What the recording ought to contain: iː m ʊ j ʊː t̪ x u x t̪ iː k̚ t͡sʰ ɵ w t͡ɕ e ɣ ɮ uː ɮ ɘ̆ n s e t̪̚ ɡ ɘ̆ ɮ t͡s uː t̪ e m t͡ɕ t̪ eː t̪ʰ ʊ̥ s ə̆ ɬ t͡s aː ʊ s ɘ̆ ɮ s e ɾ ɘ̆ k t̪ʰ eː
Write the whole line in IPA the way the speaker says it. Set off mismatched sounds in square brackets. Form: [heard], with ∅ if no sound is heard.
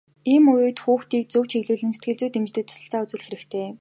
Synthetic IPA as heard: iː m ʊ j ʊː t̪ x [uː] x t̪ iː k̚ [t͡s] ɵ w t͡ɕ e ɣ ɮ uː ɮ ɘ̆ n s e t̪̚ ɡ ɘ̆ ɮ t͡s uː t̪ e m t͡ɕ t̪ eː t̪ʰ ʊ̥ s ə̆ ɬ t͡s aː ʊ [t͡s] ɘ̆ ɮ [x] e ɾ ɘ̆ k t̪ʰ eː